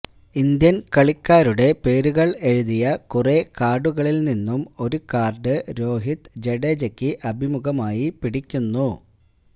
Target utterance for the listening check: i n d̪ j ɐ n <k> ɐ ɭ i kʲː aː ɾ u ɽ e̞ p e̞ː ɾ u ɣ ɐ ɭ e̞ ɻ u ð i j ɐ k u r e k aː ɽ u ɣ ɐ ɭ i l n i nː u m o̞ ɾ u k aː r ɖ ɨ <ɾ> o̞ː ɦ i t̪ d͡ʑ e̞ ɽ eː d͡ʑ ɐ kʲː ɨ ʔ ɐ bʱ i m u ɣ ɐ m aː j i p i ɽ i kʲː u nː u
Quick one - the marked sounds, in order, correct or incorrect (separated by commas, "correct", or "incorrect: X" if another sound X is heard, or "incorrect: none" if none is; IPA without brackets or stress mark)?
correct, correct